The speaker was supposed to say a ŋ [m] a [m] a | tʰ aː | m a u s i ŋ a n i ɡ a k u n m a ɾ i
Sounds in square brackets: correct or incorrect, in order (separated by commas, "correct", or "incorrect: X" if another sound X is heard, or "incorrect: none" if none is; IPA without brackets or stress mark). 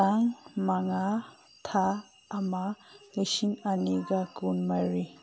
correct, incorrect: ŋ